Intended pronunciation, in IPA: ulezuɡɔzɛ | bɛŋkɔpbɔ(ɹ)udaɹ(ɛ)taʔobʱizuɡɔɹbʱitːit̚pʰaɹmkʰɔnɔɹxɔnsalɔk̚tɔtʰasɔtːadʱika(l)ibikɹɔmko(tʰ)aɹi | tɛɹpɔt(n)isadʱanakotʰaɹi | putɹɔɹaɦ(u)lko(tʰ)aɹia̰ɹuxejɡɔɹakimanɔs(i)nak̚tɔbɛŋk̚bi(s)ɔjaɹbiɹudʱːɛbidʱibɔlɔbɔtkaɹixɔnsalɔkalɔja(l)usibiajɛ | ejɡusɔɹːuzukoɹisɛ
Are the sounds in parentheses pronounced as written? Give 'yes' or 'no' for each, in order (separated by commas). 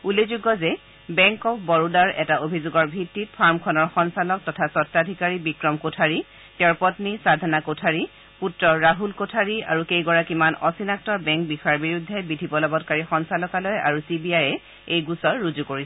yes, yes, no, yes, yes, yes, yes, yes, no, no